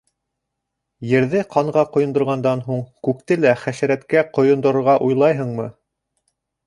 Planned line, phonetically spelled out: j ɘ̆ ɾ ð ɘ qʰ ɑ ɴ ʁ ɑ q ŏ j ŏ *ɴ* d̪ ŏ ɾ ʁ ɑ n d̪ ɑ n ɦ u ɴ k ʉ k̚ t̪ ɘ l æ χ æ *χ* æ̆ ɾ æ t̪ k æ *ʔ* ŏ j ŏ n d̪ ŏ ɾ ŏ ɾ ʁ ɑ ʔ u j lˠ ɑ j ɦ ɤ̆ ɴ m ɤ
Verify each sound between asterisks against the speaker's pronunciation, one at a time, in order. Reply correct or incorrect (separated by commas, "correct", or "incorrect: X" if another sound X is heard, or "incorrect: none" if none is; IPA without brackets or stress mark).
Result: incorrect: n, incorrect: ʃ, incorrect: q